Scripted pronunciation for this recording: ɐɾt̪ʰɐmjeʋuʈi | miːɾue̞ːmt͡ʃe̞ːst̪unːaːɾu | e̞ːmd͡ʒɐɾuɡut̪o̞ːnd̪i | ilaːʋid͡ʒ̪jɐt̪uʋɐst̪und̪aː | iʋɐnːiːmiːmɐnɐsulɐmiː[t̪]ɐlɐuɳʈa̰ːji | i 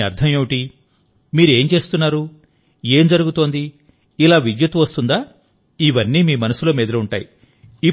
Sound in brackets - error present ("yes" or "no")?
yes